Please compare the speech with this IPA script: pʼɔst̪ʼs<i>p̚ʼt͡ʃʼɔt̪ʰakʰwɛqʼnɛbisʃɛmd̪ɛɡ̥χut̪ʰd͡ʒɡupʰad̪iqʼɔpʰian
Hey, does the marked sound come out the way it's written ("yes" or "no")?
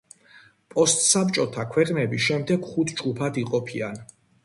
no